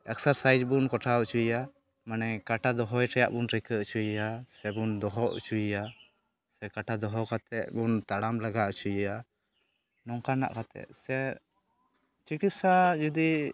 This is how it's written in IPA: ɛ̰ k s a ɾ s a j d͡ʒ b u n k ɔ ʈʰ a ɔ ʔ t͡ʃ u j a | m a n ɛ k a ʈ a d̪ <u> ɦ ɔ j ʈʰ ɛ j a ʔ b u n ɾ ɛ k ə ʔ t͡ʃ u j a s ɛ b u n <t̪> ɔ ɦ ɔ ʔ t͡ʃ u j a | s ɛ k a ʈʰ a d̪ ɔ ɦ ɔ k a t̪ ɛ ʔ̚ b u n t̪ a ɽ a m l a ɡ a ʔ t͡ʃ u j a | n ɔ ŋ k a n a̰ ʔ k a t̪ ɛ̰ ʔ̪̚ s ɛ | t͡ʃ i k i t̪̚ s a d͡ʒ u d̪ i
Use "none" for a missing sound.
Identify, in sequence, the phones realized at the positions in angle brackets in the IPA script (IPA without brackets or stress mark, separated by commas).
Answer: ɔ, d̪